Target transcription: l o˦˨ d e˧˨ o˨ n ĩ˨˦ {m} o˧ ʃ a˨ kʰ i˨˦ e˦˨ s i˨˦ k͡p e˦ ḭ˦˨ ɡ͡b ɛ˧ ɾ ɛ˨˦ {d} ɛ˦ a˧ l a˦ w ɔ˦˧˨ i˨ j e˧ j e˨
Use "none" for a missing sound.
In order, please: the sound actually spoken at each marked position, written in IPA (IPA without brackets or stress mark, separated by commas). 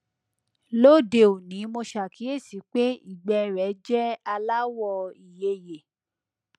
m, d͡ʒ